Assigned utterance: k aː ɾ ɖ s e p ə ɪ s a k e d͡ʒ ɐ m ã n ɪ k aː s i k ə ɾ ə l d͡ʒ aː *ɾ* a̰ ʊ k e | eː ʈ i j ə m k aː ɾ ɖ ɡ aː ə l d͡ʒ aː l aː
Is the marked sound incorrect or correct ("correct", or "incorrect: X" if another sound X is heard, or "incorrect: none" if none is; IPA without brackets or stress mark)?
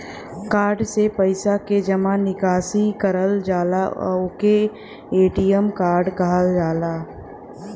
incorrect: l